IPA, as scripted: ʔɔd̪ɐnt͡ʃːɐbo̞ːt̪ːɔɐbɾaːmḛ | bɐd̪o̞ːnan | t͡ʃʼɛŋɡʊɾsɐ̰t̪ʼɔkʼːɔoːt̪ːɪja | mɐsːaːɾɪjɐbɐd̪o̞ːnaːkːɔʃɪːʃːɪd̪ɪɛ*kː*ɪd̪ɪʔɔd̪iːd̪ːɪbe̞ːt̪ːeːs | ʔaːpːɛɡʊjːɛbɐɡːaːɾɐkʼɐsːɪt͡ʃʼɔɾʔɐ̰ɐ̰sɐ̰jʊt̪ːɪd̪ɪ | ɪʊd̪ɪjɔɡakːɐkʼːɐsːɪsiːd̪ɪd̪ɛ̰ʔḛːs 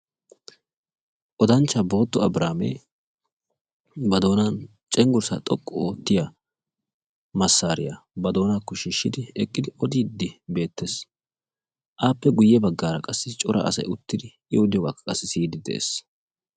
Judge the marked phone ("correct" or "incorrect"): incorrect